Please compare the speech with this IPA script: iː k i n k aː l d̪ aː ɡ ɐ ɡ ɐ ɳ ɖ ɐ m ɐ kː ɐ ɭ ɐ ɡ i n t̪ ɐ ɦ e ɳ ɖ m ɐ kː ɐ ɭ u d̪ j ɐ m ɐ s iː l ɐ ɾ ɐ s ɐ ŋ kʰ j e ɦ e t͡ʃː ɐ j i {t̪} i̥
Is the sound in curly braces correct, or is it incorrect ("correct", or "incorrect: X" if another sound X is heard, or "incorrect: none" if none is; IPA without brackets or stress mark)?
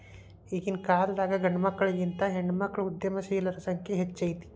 correct